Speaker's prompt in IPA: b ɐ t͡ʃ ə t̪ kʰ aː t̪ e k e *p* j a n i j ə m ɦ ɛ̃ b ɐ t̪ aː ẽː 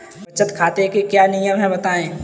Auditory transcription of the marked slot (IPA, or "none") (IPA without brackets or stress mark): k